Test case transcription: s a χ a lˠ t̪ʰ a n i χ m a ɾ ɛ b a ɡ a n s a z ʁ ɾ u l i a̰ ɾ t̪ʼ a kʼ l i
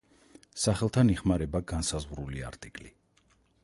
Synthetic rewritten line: s a χ ɛ lˠ t̪ʰ a n i χ m a ɾ ɛ b a ɡ a n s a z ʁ ɾ u l i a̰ ɾ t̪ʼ i kʼ l i